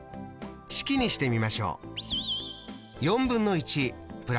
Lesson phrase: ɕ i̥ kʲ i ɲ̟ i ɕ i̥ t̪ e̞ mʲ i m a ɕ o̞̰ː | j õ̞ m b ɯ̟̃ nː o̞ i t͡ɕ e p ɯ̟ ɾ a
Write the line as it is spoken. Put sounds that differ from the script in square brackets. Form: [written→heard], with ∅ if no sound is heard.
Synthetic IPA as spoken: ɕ i̥ kʲ i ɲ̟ i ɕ i̥ t̪ e̞ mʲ i m a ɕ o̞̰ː | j õ̞ m b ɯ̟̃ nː o̞ i t͡ɕ [e→i] p ɯ̟ ɾ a